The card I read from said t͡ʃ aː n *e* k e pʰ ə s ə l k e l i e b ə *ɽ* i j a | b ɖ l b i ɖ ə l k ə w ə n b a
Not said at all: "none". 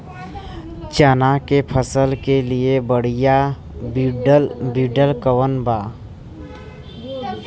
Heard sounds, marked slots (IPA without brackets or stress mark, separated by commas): a, ɽ